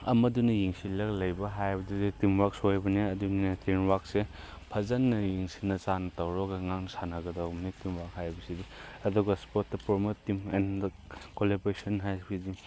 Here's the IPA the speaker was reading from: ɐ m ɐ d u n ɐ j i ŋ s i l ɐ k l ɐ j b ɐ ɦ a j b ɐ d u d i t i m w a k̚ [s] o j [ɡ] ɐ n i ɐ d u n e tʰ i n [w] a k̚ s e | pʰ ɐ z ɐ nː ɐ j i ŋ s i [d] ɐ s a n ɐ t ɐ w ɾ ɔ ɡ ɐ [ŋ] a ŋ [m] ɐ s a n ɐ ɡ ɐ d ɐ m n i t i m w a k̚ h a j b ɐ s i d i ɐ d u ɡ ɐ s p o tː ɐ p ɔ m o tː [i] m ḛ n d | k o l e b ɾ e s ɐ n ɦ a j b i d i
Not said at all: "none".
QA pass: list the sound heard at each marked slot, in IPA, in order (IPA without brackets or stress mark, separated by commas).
s, b, w, n, ŋ, n, i